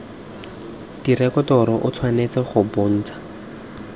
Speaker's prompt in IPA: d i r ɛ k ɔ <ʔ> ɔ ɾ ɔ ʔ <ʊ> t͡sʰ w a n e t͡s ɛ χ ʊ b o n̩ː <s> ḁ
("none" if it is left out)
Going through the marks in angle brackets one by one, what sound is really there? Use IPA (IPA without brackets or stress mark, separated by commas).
t, ʊ, t͡s